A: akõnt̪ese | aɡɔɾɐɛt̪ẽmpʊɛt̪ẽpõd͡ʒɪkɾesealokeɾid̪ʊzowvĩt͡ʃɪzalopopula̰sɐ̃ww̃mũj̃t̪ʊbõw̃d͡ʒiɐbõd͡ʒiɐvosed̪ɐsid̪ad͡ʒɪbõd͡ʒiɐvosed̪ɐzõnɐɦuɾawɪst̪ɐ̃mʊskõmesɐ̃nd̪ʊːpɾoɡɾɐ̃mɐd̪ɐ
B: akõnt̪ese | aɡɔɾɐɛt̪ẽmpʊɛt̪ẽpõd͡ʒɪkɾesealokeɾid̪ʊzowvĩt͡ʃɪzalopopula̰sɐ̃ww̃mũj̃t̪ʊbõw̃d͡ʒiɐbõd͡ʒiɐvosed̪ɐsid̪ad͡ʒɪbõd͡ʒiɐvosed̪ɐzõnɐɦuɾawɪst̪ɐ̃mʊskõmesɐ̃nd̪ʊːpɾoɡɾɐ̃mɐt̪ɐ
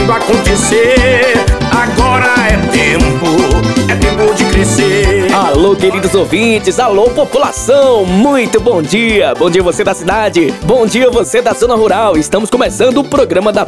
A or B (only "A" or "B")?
A